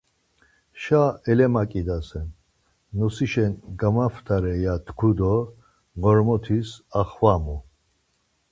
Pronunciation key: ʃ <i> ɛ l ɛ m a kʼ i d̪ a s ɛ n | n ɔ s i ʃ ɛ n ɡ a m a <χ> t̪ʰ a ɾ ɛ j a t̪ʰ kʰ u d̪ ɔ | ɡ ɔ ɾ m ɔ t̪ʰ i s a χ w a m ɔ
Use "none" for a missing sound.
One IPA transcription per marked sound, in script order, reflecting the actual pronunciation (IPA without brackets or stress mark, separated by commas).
a, f